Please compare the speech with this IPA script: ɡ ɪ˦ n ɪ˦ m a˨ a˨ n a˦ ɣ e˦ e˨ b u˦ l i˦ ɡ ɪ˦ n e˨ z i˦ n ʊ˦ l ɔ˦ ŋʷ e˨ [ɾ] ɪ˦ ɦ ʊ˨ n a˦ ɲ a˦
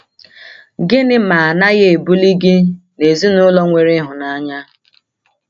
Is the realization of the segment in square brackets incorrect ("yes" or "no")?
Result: no